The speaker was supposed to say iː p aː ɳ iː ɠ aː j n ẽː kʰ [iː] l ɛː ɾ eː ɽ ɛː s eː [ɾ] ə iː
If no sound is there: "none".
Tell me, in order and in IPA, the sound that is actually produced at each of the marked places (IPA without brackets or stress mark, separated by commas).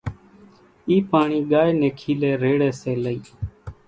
iː, l